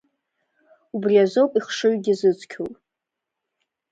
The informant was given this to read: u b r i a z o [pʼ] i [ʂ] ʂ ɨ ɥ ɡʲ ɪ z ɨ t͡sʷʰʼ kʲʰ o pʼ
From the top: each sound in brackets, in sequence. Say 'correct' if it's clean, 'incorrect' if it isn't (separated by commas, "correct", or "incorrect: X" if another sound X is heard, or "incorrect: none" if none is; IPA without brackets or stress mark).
correct, incorrect: χ